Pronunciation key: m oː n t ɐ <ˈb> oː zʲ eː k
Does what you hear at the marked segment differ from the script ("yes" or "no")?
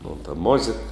yes